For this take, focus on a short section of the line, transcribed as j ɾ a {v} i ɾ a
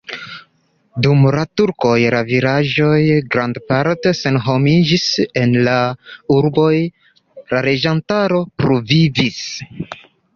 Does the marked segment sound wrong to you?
no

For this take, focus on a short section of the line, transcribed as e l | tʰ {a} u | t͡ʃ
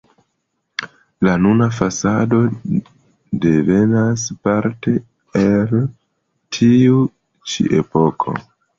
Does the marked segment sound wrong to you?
yes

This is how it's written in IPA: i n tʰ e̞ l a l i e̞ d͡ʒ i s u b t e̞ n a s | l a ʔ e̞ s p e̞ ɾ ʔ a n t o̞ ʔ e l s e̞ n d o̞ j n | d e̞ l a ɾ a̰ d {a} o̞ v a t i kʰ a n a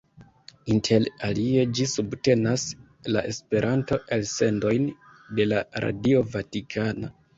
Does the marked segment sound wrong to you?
yes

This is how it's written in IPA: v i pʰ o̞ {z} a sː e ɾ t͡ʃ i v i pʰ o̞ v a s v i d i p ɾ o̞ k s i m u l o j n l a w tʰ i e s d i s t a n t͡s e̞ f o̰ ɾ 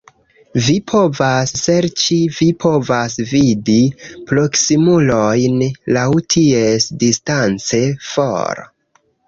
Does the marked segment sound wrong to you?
yes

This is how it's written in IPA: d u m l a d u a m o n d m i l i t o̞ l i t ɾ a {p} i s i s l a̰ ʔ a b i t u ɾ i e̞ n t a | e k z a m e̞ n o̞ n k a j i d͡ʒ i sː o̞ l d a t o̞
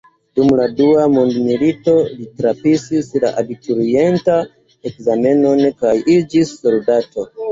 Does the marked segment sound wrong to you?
no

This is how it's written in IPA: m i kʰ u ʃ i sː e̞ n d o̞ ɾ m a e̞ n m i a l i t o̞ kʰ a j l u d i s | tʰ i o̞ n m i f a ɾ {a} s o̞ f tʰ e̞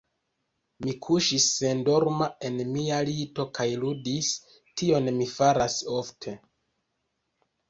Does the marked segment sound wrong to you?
no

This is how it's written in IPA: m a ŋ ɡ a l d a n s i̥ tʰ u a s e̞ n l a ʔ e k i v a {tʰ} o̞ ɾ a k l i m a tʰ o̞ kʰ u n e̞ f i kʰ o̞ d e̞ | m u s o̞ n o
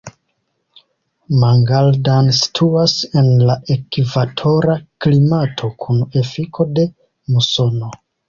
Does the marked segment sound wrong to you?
no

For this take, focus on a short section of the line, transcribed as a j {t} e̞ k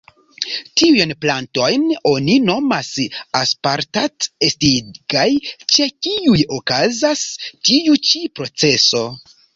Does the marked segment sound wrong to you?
yes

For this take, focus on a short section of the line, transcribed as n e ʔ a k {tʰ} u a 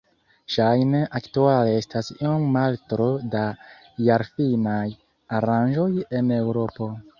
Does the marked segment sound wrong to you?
yes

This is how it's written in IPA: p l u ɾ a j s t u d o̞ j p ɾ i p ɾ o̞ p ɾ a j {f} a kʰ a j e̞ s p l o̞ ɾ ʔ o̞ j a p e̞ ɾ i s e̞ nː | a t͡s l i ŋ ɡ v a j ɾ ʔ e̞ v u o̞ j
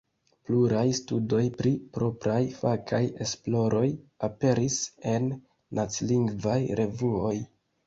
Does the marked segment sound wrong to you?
no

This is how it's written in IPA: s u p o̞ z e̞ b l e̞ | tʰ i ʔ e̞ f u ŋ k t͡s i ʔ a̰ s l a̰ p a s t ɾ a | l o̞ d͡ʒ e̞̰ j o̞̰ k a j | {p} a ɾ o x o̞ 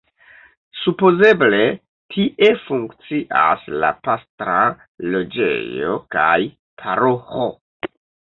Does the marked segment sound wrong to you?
yes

